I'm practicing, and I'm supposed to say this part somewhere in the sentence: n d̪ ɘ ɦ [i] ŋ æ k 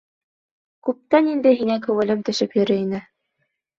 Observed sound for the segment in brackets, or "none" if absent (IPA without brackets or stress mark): i